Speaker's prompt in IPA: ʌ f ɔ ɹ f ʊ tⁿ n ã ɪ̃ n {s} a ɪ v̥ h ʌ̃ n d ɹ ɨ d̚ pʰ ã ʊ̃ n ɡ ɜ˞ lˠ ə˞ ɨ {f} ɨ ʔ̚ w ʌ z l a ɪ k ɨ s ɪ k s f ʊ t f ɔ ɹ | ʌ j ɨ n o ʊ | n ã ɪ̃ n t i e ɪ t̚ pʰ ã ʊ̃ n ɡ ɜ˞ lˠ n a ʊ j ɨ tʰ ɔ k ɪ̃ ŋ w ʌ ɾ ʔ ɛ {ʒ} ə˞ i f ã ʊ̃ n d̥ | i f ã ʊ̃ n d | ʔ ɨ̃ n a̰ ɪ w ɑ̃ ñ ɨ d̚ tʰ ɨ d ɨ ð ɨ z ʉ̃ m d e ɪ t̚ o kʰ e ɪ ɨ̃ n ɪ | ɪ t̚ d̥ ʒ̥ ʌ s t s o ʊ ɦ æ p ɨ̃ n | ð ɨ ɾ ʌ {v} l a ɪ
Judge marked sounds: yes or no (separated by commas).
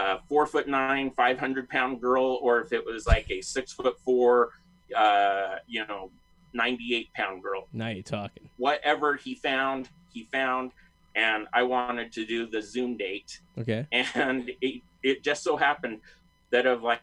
no, yes, no, yes